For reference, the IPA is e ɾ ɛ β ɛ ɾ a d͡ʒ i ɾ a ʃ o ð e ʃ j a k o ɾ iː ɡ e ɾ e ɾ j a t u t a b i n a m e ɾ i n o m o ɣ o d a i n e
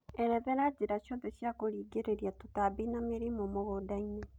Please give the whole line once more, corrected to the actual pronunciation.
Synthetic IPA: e ɾ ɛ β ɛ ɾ a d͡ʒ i ɾ a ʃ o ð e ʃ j a k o ɾ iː ɡ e ɾ e ɾ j a t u t a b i n a m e ɾ i m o m o ɣ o d a i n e